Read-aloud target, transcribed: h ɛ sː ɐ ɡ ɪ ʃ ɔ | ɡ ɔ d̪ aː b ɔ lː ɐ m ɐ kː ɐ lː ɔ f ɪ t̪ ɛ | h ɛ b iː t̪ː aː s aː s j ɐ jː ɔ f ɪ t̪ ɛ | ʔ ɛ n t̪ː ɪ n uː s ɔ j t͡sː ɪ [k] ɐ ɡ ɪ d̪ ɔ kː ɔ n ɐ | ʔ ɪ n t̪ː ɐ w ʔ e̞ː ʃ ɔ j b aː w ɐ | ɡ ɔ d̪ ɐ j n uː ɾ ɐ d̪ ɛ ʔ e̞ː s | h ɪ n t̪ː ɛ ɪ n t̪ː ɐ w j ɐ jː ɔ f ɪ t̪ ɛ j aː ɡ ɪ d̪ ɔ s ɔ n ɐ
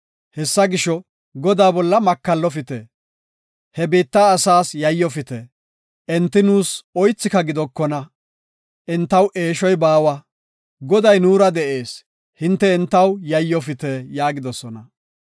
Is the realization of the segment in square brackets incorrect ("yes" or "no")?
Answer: no